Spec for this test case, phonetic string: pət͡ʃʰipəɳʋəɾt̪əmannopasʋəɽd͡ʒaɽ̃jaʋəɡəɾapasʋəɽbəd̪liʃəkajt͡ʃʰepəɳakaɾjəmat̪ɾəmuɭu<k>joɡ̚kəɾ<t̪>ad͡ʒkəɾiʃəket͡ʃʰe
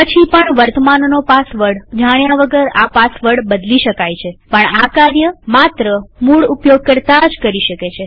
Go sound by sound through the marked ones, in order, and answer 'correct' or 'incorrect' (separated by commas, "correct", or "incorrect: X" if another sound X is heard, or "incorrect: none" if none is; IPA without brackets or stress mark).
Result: incorrect: p, correct